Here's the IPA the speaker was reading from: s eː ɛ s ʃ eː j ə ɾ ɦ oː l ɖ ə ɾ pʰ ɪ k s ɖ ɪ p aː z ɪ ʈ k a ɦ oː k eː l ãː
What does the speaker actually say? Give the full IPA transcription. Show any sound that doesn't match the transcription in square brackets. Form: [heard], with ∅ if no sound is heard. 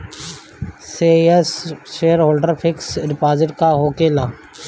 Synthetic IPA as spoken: s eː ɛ s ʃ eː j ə ɾ ɦ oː l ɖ ə ɾ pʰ ɪ k s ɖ ɪ p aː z ɪ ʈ k a ɦ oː k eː l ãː